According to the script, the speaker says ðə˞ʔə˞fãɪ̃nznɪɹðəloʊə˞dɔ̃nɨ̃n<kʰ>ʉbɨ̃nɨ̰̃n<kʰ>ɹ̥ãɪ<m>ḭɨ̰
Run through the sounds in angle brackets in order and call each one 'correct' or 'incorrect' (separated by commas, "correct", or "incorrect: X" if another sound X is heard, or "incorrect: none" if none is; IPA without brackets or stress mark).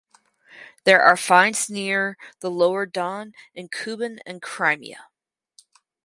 correct, correct, correct